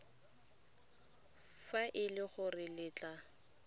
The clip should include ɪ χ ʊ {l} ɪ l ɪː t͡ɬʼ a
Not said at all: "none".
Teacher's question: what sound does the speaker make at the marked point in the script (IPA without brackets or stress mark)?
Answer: r